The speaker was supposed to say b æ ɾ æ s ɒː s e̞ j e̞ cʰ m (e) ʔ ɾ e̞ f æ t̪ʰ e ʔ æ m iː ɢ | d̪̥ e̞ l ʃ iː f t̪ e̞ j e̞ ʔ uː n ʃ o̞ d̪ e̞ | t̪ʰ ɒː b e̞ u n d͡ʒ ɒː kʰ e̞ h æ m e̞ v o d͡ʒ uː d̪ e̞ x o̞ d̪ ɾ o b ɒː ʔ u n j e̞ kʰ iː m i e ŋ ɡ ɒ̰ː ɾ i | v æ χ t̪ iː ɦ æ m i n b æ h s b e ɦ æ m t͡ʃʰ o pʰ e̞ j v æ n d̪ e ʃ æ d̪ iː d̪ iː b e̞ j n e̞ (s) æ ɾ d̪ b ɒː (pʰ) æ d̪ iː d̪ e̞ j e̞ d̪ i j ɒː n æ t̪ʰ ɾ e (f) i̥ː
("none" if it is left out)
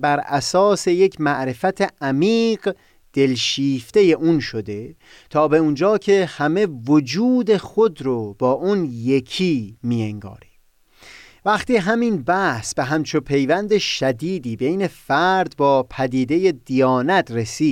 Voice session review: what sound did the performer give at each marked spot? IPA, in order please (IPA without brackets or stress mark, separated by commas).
æ, f, pʰ, s